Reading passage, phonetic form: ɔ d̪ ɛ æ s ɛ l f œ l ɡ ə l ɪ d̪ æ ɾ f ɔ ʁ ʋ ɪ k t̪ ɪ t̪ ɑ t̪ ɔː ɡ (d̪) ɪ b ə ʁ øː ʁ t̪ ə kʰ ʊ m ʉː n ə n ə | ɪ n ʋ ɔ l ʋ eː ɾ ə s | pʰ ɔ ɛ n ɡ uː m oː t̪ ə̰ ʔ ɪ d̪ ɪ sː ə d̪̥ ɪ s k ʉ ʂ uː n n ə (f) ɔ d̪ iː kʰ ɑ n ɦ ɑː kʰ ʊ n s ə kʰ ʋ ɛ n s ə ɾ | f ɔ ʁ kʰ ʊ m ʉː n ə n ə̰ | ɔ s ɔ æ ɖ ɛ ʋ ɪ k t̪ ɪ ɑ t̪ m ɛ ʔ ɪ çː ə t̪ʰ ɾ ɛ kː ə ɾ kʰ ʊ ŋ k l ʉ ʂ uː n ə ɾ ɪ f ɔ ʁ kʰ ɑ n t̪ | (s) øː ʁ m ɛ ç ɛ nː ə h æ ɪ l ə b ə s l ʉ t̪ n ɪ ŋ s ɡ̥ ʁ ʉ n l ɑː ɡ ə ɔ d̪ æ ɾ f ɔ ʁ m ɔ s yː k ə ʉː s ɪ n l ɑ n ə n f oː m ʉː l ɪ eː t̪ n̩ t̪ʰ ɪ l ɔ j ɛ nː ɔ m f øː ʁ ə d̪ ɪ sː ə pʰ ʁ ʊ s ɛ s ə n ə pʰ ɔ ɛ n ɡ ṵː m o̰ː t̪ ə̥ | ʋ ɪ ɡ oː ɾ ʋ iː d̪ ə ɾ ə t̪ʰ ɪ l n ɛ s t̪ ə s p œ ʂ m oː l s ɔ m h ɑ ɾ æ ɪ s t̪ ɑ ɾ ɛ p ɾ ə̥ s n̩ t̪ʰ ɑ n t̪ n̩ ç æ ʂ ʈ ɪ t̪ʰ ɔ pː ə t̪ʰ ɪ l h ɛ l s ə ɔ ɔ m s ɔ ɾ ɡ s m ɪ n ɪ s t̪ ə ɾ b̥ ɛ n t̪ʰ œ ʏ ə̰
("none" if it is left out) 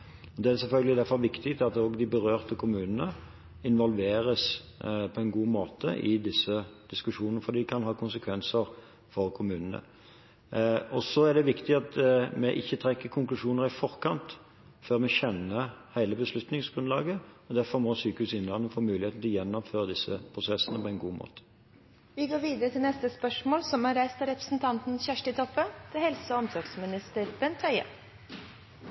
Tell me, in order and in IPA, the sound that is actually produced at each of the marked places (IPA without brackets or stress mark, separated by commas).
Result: d̪, f, f